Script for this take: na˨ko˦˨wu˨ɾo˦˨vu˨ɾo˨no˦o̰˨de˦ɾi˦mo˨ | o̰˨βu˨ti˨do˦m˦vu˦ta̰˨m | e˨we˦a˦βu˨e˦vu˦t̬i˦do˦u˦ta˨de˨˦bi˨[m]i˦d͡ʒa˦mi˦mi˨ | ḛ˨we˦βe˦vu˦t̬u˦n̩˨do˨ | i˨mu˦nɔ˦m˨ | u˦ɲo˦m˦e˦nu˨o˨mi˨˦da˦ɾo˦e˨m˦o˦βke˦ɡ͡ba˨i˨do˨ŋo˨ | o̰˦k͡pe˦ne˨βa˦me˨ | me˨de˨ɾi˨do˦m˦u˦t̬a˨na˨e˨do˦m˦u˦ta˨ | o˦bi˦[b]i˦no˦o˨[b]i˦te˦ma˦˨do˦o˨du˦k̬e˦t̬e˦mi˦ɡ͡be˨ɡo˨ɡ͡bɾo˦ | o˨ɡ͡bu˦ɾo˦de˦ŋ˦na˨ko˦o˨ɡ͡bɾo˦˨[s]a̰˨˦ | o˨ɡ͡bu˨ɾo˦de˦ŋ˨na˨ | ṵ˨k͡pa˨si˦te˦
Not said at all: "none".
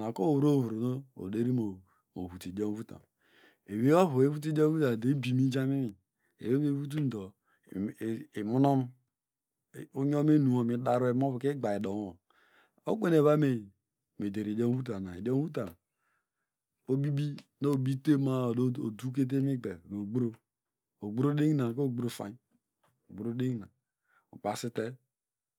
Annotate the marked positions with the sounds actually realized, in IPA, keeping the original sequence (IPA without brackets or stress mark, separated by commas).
m, b, b, f